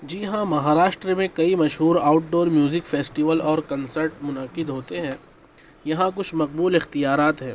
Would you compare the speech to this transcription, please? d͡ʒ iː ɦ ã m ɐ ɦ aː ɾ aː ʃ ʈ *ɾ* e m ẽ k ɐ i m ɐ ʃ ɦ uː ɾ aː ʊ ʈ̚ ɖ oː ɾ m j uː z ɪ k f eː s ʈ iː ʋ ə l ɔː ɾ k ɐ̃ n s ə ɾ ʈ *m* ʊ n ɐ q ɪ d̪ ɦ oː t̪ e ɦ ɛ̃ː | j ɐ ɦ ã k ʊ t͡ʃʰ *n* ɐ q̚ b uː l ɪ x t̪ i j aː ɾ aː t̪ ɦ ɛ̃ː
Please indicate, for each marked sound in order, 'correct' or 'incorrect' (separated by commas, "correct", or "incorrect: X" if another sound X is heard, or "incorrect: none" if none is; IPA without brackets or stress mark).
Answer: correct, correct, incorrect: m